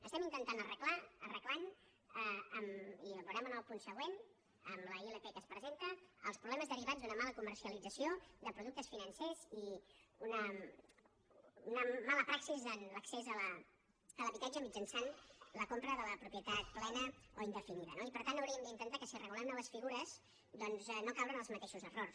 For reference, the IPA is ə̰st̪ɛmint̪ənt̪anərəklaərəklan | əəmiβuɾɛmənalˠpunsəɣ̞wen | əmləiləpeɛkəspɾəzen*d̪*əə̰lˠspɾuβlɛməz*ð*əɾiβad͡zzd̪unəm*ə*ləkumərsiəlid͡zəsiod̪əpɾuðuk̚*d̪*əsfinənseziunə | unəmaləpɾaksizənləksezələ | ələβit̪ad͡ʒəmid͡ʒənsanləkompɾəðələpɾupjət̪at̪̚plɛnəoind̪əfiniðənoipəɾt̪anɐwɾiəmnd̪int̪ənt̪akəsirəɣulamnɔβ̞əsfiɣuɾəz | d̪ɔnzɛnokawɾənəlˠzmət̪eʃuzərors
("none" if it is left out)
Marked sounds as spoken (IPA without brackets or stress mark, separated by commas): t̪, ð, a, t̪